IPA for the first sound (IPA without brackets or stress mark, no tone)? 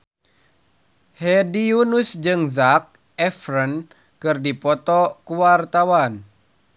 h